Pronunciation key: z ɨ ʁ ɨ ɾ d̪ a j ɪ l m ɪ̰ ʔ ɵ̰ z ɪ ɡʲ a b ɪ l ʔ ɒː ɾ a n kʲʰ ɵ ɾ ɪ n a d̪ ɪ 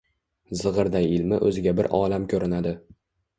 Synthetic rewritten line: z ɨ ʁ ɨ ɾ d̪ a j ɪ l m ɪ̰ ʔ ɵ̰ z ɪ ɡʲ a b ɪ ɾ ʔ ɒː l a m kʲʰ ɵ ɾ ɪ n a d̪ ɪ